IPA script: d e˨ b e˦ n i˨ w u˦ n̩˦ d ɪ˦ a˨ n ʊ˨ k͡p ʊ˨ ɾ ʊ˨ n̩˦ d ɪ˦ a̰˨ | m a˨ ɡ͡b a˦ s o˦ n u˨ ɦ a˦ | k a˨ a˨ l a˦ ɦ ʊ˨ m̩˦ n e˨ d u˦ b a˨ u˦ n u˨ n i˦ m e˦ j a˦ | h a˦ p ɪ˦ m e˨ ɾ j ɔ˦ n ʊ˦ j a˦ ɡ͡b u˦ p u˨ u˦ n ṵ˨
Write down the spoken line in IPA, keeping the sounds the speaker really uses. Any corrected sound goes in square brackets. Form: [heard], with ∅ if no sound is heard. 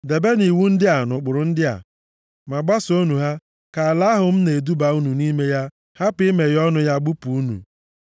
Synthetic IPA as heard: d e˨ b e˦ n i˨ w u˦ n̩˦ d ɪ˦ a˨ n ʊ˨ k͡p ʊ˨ ɾ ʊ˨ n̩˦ d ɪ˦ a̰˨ | m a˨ ɡ͡b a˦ s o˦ n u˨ ɦ a˦ | k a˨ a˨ l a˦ ɦ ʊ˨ m̩˦ n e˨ d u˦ b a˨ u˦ n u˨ n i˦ m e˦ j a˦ | h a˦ p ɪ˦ m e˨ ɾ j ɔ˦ n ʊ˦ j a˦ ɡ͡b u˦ p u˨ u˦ n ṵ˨